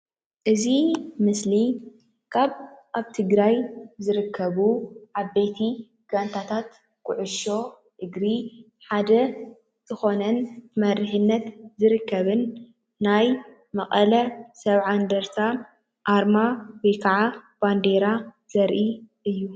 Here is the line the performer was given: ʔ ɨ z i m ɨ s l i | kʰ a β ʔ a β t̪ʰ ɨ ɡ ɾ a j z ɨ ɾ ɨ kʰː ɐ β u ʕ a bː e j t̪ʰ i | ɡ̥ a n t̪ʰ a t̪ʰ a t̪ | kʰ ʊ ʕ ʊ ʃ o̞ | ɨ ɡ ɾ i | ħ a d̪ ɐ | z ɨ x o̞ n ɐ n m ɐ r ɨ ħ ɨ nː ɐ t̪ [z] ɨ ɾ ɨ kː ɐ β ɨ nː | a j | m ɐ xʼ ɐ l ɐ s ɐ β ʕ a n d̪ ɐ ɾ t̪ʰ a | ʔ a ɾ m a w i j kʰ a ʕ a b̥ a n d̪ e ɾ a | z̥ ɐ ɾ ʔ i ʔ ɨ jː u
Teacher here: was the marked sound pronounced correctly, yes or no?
yes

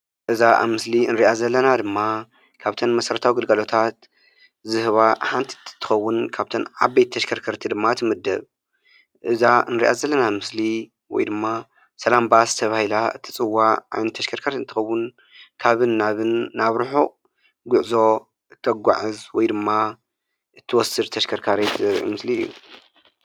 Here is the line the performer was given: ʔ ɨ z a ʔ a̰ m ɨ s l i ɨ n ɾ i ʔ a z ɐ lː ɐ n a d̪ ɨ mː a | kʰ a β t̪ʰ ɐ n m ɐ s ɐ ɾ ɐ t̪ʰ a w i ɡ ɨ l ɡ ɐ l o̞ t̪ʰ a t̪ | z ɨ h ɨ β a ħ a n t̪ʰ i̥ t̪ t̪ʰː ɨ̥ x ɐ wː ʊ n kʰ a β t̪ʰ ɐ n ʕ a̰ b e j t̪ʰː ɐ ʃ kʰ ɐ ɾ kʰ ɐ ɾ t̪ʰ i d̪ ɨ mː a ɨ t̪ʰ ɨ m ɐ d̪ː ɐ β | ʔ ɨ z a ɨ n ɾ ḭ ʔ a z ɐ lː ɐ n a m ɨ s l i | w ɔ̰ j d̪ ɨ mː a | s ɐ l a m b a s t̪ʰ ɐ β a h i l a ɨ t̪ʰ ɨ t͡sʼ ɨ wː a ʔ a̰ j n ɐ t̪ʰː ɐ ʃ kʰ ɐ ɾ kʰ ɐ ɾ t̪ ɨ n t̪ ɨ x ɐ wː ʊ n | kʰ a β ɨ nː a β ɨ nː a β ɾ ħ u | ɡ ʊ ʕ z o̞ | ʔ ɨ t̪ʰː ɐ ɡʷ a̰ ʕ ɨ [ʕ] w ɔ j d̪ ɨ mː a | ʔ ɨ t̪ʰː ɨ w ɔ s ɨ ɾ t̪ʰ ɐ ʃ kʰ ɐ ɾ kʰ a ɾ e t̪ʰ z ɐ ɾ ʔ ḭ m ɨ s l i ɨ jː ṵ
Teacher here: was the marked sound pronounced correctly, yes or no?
no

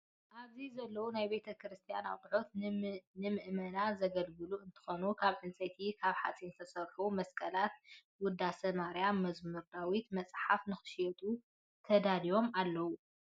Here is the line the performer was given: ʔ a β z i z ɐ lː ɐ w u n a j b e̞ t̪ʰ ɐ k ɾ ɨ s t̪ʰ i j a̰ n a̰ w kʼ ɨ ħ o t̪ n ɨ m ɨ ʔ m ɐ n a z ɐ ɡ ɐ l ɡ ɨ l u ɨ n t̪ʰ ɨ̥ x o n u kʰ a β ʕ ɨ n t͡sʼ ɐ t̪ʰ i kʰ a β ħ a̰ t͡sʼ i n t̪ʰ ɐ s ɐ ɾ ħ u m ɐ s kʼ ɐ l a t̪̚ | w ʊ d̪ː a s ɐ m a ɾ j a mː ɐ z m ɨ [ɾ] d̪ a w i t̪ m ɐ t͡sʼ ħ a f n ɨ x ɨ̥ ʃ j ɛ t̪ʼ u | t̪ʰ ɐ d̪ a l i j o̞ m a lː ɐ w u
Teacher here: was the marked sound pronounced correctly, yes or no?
yes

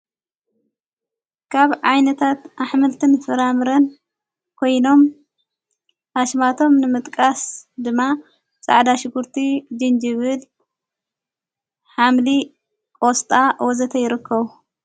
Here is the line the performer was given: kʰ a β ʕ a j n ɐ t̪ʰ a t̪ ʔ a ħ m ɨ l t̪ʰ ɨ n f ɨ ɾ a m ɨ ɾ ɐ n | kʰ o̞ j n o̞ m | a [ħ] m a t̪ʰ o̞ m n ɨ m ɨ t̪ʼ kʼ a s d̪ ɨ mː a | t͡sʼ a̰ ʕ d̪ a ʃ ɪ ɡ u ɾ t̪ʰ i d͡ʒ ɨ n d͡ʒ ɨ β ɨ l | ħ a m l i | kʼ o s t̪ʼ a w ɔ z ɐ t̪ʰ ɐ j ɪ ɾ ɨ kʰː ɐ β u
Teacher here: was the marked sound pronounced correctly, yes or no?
no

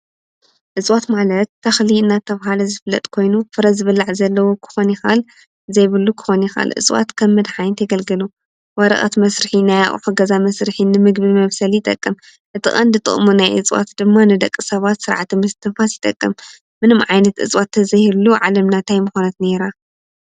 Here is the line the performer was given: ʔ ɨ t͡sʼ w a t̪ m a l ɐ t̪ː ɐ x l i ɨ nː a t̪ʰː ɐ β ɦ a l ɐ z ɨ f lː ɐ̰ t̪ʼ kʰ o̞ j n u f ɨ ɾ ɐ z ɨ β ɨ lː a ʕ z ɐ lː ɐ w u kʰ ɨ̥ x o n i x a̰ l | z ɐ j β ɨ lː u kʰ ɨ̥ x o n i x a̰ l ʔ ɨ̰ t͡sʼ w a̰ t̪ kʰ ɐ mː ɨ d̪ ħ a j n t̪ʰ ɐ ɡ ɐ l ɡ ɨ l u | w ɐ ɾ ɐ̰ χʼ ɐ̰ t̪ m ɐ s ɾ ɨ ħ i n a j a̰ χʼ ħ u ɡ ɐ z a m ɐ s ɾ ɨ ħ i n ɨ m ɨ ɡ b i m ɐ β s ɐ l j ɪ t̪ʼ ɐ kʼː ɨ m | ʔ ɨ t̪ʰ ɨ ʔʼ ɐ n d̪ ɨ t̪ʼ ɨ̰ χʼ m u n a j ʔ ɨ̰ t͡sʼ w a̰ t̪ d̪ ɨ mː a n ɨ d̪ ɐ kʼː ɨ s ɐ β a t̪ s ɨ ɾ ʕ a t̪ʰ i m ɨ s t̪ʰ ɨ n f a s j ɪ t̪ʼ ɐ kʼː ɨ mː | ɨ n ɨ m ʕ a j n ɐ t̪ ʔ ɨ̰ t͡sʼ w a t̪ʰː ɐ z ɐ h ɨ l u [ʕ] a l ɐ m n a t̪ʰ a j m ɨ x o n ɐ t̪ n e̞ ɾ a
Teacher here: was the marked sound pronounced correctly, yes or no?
yes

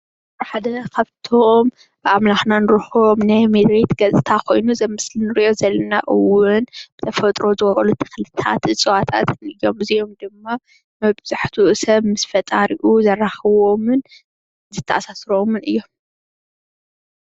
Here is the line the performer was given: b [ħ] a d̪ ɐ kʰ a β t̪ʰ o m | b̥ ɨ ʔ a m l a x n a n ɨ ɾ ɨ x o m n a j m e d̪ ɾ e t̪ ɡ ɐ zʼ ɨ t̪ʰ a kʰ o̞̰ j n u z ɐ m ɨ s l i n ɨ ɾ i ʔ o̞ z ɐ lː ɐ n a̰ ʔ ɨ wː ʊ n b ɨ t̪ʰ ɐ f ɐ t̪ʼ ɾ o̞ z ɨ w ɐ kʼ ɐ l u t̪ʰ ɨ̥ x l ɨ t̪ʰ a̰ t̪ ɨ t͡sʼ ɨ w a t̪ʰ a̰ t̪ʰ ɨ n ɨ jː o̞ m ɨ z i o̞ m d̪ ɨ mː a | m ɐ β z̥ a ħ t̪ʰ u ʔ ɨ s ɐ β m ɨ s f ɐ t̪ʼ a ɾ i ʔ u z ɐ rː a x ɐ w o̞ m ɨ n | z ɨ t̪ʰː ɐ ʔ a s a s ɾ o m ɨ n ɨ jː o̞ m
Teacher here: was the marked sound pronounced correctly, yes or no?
yes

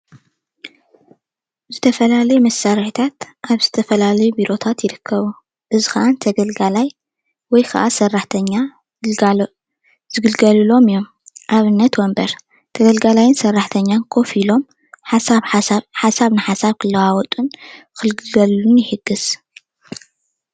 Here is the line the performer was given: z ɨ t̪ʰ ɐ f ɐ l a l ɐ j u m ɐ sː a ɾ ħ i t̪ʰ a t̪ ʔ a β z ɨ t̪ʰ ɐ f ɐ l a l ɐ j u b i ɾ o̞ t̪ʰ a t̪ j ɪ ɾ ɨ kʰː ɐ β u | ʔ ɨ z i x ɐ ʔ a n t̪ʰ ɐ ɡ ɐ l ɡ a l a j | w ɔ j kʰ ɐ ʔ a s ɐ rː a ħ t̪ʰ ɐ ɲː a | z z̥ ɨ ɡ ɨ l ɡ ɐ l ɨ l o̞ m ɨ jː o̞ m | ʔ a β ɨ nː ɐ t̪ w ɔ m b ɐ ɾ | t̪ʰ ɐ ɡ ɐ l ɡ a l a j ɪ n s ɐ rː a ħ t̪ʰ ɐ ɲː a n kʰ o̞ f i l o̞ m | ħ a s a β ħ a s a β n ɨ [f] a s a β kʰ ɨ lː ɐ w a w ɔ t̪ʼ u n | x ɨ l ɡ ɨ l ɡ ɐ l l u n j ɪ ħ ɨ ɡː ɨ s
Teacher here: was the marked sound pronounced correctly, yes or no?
no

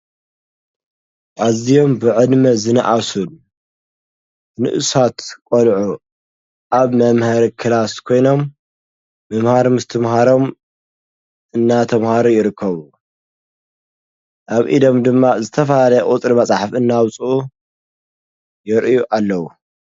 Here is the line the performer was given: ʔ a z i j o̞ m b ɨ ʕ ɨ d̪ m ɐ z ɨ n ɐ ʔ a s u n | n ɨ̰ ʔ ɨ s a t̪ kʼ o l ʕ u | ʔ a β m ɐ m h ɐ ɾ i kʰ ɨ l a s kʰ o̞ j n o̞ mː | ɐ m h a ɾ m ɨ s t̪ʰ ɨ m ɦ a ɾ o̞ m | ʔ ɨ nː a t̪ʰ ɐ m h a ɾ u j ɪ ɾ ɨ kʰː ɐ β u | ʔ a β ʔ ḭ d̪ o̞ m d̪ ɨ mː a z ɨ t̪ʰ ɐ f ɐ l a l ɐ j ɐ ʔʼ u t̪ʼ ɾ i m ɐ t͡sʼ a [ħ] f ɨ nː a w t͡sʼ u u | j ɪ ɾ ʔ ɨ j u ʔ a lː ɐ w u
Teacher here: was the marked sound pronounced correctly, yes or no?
yes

